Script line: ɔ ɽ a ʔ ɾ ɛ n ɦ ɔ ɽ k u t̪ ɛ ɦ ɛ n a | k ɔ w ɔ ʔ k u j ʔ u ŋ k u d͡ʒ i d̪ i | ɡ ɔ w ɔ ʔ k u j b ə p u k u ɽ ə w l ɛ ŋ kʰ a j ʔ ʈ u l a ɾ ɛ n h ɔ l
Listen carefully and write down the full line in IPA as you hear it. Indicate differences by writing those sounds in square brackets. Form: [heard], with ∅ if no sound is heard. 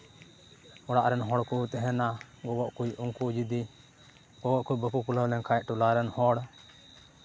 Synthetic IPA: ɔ ɽ a ʔ ɾ ɛ n ɦ ɔ ɽ k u t̪ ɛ ɦ ɛ n a | [ɡ] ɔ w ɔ ʔ k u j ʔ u ŋ k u d͡ʒ i d̪ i | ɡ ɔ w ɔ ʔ k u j b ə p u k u [l] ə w l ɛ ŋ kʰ a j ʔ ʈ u l a ɾ ɛ n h ɔ [ɽ]